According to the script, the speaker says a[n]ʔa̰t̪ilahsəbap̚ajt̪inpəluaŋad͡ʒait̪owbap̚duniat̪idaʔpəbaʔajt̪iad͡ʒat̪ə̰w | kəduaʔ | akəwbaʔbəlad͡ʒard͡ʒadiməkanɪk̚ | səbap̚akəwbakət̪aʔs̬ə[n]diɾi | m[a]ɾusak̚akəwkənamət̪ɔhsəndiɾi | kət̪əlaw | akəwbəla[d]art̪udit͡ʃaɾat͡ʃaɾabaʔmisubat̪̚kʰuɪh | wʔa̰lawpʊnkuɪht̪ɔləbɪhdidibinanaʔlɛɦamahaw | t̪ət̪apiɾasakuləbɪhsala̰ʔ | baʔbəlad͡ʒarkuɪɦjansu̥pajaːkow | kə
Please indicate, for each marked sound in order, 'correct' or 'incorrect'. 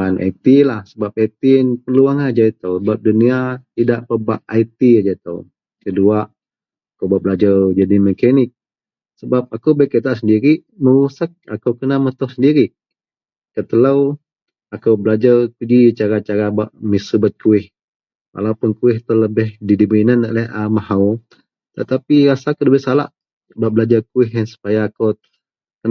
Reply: correct, correct, incorrect: ə, incorrect: d͡ʒ

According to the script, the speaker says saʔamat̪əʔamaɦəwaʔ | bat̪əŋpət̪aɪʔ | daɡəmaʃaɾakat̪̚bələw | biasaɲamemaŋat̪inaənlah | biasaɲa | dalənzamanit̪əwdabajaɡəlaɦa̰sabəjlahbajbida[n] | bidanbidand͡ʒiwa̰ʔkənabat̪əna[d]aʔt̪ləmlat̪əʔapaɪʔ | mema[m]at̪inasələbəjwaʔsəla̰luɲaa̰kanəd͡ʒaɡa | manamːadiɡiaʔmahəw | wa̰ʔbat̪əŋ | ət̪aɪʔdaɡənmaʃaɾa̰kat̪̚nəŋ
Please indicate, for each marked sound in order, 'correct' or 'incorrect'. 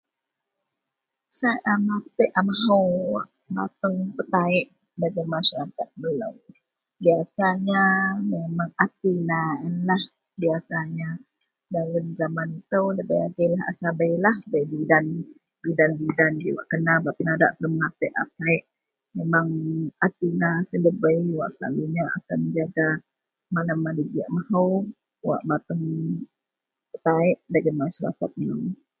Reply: correct, correct, incorrect: ŋ

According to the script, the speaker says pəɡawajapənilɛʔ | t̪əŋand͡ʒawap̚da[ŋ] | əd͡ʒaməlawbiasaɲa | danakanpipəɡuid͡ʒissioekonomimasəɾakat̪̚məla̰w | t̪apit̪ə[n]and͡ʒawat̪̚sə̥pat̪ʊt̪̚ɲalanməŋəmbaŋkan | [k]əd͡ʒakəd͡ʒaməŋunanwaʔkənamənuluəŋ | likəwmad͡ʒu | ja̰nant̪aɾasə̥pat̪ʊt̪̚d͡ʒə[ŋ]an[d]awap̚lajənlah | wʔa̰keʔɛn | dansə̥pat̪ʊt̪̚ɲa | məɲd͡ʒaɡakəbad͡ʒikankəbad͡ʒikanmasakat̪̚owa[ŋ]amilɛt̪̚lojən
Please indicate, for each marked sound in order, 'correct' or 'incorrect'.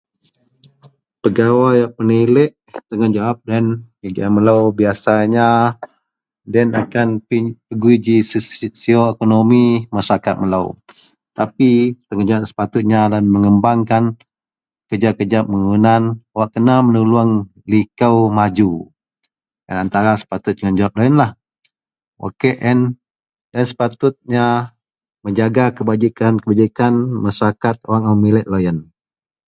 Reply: incorrect: n, incorrect: ŋ, correct, correct, incorrect: d͡ʒ, correct

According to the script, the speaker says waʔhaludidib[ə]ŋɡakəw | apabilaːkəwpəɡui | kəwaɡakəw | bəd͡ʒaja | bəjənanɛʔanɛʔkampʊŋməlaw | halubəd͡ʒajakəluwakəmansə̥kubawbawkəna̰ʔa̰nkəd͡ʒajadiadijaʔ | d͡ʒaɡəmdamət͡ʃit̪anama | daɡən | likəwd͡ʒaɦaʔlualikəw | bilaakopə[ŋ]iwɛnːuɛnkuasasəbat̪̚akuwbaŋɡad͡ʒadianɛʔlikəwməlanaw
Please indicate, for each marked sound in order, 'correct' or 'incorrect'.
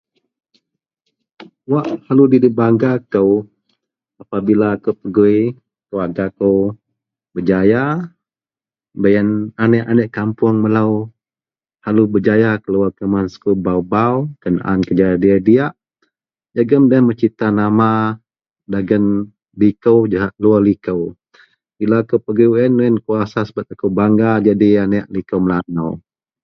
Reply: incorrect: a, incorrect: ɡ

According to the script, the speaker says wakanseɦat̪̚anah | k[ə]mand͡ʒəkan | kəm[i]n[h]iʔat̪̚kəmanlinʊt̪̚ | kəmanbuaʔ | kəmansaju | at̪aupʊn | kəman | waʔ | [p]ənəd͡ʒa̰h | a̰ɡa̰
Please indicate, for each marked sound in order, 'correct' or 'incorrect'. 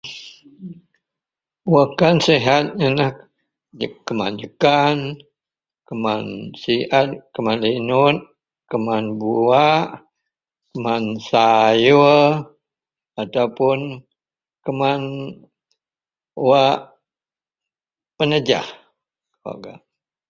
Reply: correct, incorrect: a, incorrect: s, correct

